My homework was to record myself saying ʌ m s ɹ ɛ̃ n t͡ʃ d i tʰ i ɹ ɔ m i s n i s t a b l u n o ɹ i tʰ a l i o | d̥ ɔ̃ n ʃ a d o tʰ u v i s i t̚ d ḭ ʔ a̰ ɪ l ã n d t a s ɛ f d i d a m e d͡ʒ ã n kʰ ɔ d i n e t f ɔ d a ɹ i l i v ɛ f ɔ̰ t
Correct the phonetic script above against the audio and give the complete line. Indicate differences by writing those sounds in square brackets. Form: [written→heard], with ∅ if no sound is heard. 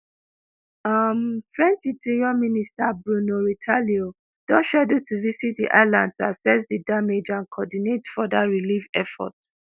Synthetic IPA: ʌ m [s→f] ɹ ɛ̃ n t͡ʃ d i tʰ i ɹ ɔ m i [s→∅] n i s t a b [l→ɹ] u n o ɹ i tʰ a l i o | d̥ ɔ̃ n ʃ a d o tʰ u v i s i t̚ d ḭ ʔ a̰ ɪ l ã n d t a s ɛ [f→s] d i d a m e d͡ʒ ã n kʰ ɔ d i n e t f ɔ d a ɹ i l i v ɛ f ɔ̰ t